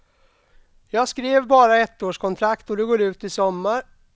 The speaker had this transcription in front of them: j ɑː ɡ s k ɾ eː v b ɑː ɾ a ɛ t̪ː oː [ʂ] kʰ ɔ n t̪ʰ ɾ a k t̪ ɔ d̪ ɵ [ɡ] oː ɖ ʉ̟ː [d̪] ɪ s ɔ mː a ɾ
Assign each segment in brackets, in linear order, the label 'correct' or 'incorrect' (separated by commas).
correct, correct, incorrect